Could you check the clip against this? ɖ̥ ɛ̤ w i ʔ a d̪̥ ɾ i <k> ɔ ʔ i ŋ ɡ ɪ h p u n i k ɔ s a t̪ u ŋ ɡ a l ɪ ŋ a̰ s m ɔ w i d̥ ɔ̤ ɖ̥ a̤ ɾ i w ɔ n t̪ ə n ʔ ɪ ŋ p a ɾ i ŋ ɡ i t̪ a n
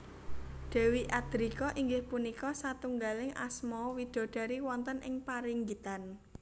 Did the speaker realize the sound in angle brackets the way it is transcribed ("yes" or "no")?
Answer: yes